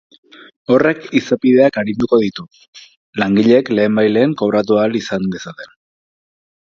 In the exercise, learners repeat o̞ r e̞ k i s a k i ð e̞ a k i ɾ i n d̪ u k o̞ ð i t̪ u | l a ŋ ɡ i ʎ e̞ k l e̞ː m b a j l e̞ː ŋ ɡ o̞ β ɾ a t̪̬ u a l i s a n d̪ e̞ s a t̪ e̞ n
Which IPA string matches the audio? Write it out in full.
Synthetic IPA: o̞ r e̞ k i s a p i ð e̞ a k a ɾ i n d̪ u k o̞ ð i t̪ u | l a ŋ ɡ i ʎ e̞ k l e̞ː m b a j l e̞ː ŋ k o̞ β ɾ a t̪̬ u a l i s a n d̪ e̞ s a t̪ e̞ n